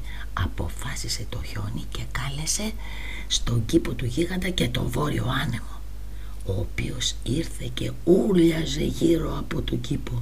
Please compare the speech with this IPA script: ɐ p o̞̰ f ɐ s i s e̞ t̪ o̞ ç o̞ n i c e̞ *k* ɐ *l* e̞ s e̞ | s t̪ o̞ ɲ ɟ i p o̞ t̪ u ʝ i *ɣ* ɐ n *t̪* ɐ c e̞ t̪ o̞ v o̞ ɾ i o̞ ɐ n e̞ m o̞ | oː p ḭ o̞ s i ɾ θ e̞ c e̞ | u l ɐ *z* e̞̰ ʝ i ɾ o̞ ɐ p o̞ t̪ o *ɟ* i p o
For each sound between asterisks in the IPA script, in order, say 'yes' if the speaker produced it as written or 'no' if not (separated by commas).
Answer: yes, yes, yes, no, yes, yes